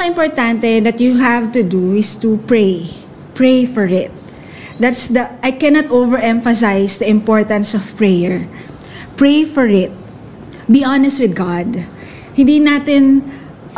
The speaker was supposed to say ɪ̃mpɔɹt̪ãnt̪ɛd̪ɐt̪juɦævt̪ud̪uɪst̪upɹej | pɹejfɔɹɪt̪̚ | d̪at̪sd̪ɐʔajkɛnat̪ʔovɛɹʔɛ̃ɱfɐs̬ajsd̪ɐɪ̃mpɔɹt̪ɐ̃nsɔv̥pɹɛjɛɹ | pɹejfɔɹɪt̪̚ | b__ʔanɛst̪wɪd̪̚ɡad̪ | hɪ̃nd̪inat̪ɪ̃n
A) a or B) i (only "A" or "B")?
B